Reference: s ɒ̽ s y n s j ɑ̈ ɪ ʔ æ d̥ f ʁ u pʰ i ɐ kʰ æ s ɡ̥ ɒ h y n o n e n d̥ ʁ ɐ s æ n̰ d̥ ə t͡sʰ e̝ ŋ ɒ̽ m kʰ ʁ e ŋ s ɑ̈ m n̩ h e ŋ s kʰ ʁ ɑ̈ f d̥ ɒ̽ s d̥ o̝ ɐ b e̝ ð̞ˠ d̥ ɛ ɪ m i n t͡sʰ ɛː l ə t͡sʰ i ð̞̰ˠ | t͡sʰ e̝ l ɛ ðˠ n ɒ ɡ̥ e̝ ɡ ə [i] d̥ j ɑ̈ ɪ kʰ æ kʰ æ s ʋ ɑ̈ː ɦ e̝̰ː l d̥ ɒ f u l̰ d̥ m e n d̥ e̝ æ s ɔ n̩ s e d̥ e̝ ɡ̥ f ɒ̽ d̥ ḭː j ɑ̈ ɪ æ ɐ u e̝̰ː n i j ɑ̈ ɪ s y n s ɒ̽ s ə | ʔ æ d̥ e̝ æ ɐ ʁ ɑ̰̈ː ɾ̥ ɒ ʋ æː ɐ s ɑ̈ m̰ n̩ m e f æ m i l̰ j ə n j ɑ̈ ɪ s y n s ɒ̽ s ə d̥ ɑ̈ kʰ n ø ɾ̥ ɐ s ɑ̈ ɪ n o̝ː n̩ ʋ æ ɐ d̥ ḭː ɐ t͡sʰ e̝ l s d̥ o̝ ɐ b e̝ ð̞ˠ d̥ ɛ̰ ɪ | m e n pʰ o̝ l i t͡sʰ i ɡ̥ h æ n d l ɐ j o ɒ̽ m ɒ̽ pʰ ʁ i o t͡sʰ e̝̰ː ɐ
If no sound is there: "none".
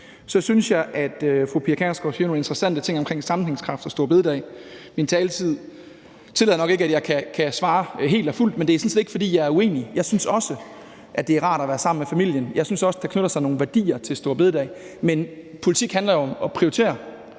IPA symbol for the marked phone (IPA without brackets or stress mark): æ